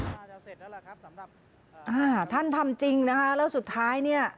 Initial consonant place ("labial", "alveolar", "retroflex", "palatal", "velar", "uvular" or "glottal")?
glottal